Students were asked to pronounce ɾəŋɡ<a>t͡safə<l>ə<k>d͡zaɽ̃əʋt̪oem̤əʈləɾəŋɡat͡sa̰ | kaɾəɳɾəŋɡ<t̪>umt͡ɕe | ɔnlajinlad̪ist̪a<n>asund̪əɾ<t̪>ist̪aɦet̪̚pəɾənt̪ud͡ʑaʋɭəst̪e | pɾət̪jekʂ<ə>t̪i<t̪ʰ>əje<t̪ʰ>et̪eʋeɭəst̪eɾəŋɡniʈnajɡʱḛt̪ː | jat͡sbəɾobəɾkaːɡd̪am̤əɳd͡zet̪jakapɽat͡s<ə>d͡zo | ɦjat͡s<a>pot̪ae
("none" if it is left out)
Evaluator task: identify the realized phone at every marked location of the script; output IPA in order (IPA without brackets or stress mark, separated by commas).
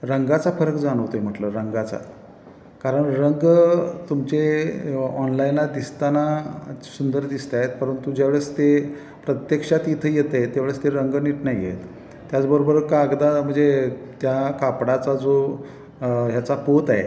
a, ɾ, k, t̪, n, d̪, a, t̪ʰ, t̪, a, a